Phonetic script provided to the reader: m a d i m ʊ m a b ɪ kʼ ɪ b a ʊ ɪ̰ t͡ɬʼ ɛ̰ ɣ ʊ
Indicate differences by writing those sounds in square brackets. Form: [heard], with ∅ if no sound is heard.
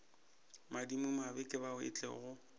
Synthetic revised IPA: m a d i m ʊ m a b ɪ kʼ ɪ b a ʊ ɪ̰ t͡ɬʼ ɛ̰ ɣ ʊ